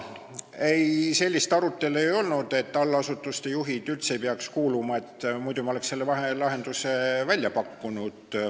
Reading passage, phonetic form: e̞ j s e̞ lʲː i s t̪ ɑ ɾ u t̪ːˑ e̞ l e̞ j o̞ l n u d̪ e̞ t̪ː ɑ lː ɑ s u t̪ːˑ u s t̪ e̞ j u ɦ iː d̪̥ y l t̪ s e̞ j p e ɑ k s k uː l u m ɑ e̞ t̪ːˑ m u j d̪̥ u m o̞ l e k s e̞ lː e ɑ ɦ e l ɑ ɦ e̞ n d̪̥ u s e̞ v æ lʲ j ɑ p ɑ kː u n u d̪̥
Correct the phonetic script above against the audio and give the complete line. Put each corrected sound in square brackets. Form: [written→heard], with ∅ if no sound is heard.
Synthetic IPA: e̞ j s e̞ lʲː i s t̪ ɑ ɾ u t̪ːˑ e̞ l e̞ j o̞ l n u d̪ e̞ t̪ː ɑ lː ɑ s u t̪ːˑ u s t̪ e̞ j u ɦ [iː→i] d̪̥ y l t̪ s e̞ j p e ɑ k s k uː l u m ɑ e̞ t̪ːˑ m u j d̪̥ u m o̞ l e k s e̞ lː e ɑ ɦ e l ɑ ɦ e̞ n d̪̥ u s e̞ v æ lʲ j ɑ p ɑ kː u n u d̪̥